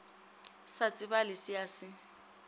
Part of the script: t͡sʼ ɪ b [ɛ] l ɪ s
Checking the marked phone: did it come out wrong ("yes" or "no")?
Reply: yes